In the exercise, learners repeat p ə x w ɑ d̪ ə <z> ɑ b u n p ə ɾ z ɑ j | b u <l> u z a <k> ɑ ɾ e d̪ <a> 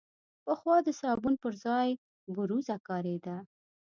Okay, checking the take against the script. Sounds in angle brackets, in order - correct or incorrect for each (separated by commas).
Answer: incorrect, incorrect, correct, correct